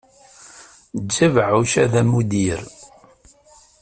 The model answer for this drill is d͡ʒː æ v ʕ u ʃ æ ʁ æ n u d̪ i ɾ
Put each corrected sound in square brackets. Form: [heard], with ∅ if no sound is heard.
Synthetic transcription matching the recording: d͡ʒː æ v ʕ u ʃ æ [ð] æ [m] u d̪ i ɾ